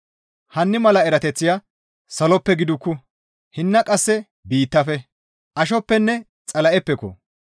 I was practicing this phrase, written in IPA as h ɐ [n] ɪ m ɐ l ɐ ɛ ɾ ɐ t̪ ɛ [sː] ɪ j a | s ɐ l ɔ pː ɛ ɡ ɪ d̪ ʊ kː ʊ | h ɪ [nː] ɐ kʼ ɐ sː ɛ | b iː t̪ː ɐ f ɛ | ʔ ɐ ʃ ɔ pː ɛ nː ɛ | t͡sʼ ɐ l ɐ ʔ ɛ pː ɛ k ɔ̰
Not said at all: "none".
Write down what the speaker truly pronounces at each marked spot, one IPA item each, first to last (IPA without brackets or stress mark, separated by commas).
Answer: nː, t͡sː, nː